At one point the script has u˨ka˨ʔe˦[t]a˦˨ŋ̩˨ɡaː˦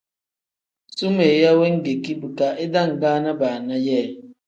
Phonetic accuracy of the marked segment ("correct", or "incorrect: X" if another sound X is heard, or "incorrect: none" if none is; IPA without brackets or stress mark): incorrect: d